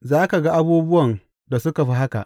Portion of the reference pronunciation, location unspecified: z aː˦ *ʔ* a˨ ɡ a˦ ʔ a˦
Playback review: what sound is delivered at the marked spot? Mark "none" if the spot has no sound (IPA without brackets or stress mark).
k